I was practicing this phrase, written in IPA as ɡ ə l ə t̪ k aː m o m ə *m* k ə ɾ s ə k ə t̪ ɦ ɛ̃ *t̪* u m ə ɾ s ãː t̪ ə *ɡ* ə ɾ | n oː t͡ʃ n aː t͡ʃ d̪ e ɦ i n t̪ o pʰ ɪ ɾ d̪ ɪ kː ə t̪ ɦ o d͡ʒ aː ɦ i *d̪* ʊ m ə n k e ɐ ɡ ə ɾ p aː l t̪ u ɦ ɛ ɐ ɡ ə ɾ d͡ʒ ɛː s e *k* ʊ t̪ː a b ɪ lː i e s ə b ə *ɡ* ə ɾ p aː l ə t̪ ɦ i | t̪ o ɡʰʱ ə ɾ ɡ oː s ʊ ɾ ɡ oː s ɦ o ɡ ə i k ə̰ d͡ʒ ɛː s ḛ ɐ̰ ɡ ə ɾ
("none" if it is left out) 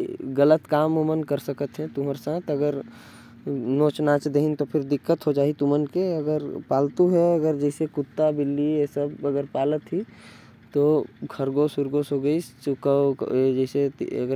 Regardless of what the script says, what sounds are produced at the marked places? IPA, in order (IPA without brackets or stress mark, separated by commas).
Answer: n, t̪, ɡ, t̪, k, ɡ